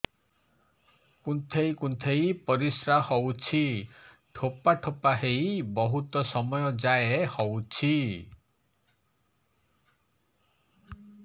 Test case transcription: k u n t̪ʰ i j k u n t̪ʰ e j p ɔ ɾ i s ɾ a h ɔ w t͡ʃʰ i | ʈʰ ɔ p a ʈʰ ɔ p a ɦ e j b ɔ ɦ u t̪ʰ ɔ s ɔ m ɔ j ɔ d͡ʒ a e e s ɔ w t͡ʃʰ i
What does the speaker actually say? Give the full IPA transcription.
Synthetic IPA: k u n t̪ʰ e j k u n t̪ʰ e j p ɔ ɾ i s ɾ a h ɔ w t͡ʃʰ i | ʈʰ o p a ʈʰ o p a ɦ e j b ɔ ɦ u t̪ ɔ s ɔ m ɔ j ɔ d͡ʒ a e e h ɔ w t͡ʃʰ i